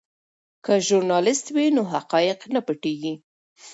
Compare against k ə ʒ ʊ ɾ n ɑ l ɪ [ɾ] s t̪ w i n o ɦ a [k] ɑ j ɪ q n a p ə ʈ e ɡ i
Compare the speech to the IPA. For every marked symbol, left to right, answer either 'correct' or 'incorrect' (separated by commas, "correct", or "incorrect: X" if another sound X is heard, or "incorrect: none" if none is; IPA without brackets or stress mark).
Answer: incorrect: none, incorrect: q